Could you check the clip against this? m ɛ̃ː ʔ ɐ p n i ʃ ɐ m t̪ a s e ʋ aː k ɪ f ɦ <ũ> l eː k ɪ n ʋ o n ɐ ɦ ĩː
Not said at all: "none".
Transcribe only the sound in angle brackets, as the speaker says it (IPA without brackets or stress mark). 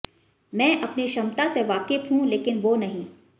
ũ